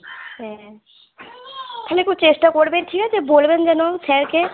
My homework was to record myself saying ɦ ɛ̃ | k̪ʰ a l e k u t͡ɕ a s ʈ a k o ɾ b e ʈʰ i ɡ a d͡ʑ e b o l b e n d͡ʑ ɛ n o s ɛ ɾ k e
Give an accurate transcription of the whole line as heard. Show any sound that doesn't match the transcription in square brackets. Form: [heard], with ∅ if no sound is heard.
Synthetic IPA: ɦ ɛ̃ | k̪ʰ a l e k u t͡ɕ [e] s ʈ a k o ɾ b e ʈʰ i [k] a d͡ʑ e b o l b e n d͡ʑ ɛ n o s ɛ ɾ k e